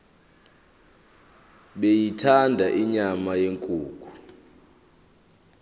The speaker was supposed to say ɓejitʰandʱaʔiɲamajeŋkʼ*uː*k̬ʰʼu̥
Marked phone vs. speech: correct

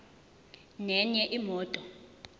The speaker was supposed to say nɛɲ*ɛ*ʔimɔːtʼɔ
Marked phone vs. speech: correct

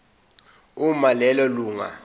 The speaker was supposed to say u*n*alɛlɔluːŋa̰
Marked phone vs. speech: incorrect: m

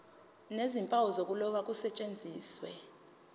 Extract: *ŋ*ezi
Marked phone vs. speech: incorrect: n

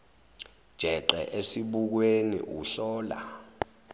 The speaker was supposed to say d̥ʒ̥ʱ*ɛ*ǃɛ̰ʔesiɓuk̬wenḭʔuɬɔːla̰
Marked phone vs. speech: correct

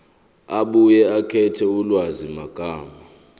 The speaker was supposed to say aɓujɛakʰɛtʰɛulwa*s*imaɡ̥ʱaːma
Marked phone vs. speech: incorrect: z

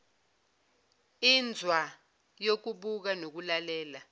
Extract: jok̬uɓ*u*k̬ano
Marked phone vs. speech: correct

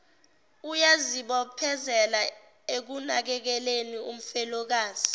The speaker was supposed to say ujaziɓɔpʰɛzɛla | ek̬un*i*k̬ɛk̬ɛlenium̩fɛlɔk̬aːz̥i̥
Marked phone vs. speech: incorrect: a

